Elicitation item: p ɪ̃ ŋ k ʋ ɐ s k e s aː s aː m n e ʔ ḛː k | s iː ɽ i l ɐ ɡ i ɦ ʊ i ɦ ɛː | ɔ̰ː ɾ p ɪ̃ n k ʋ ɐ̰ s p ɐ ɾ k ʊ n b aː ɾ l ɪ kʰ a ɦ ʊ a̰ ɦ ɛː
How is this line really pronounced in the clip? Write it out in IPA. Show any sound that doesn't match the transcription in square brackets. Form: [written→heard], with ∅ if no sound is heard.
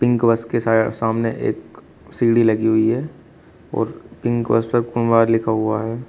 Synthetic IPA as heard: p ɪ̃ ŋ k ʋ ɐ s k e s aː s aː m n e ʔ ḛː k | s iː ɽ i l ɐ ɡ i ɦ ʊ i ɦ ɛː | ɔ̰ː ɾ p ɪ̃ [n→ŋ] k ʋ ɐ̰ s p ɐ ɾ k ʊ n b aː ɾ l ɪ kʰ a ɦ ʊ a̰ ɦ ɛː